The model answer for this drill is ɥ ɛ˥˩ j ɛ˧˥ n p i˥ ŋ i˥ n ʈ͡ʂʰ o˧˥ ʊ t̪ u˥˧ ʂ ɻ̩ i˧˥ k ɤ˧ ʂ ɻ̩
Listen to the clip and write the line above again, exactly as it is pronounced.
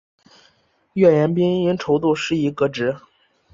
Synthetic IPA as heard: ɥ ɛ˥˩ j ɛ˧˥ n p i˥ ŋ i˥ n ʈ͡ʂʰ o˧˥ ʊ t̪ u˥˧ ʂ ɻ̩ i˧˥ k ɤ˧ ʈ͡ʂ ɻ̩